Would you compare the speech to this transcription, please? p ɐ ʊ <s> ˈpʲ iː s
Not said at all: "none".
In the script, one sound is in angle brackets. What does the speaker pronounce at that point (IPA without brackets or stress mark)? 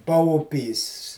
none